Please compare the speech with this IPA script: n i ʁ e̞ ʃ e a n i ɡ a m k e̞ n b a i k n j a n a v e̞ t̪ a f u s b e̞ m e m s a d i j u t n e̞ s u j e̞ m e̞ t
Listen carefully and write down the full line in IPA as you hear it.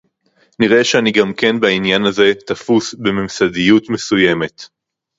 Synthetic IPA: n i ʁ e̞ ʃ e a n i ɡ a m k e̞ n b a i n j a n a z e̞ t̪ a f u s b e̞ m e m s a d i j u t m e̞ s u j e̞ m e̞ t